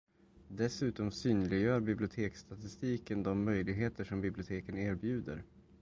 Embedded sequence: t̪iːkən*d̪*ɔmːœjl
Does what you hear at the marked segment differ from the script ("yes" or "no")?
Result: no